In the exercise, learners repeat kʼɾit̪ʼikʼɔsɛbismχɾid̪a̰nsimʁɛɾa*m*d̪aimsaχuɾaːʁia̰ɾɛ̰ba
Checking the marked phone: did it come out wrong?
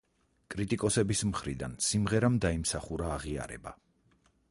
no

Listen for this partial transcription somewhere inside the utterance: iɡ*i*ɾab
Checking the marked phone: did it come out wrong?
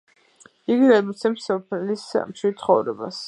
no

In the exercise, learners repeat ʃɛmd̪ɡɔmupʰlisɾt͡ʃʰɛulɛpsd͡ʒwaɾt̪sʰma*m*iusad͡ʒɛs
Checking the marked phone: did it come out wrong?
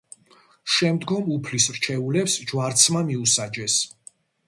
no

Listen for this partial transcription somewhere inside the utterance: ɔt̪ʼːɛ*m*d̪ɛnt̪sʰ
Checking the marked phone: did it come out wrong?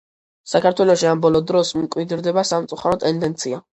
yes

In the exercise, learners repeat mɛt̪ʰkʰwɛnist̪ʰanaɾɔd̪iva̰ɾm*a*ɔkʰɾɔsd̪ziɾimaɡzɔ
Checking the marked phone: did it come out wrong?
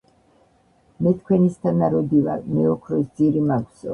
yes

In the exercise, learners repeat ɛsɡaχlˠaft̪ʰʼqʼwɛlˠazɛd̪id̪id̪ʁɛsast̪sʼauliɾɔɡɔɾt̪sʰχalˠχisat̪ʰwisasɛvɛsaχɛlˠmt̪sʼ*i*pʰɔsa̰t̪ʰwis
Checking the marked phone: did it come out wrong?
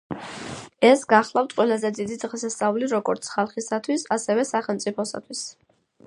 no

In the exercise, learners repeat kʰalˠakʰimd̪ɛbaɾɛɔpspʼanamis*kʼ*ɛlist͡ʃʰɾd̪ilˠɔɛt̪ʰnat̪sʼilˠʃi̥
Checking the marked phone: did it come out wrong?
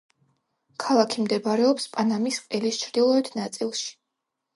yes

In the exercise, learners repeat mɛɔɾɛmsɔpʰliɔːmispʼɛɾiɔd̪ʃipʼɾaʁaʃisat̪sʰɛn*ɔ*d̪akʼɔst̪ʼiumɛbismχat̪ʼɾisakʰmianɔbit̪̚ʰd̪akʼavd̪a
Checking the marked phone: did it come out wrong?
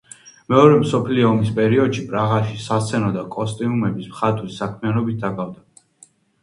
no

